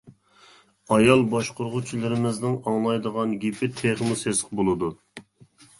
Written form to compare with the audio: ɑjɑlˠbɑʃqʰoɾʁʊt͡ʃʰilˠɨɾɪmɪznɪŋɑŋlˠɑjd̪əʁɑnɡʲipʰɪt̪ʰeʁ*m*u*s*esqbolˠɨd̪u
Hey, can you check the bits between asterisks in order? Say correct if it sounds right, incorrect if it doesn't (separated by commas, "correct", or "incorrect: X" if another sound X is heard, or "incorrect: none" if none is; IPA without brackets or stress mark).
correct, correct